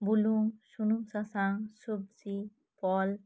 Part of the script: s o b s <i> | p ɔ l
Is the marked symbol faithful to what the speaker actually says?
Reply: yes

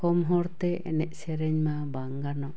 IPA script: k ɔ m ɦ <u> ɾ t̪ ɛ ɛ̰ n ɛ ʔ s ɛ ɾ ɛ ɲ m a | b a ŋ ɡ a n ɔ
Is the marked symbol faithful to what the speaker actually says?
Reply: no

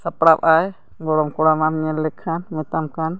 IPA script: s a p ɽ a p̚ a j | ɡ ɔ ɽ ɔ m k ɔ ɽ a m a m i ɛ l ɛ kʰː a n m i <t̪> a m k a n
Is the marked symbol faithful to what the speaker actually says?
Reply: yes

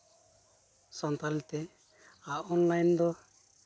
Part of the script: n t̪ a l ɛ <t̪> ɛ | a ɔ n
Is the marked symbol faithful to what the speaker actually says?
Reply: yes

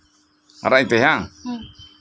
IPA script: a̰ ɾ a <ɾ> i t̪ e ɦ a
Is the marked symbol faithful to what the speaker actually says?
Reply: no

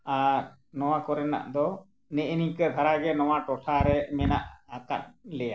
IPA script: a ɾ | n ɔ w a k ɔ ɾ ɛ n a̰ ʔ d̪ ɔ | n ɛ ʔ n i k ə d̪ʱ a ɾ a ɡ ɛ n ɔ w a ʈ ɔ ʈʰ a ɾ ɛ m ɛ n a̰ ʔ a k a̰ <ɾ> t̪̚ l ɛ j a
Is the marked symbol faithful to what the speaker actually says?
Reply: no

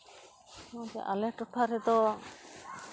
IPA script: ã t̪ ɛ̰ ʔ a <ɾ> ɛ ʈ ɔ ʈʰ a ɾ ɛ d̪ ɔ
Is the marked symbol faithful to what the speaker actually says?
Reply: no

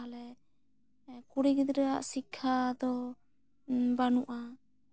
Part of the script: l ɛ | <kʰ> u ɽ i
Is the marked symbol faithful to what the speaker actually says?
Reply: no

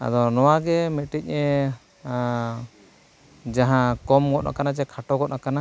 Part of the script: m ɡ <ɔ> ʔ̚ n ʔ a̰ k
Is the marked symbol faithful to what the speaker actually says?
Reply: yes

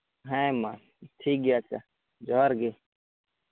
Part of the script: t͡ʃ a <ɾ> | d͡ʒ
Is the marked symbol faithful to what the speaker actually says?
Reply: no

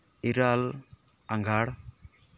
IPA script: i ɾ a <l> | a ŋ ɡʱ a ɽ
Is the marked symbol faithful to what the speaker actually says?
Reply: yes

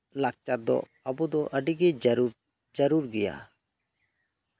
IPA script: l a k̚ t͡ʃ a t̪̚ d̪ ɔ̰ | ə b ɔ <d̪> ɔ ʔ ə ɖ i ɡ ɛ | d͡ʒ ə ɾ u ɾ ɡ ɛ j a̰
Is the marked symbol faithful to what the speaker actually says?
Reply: yes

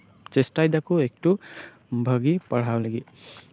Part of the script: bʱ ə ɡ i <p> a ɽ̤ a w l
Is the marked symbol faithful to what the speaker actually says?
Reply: yes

